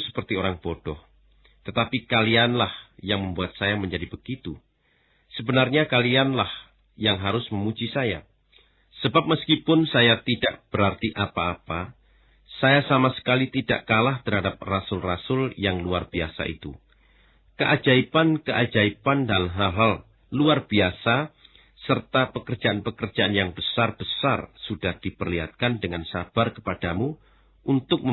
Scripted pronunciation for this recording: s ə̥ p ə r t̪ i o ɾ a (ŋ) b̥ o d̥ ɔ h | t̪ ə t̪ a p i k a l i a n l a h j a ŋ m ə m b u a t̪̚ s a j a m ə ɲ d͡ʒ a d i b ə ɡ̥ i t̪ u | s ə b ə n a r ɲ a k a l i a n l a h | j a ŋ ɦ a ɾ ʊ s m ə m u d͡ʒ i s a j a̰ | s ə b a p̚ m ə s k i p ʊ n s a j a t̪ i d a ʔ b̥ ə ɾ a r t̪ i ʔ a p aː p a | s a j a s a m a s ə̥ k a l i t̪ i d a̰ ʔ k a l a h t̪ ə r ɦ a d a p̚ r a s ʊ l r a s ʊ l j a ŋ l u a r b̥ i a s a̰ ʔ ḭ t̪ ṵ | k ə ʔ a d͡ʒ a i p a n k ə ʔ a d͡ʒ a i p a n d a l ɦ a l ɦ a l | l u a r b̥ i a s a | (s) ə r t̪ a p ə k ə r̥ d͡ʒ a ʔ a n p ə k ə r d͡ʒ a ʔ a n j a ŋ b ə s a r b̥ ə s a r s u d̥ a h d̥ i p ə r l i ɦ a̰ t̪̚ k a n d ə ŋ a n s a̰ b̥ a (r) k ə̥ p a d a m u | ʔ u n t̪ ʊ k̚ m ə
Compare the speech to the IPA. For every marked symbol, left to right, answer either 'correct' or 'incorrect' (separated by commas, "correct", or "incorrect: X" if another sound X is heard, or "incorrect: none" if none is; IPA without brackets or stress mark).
correct, correct, correct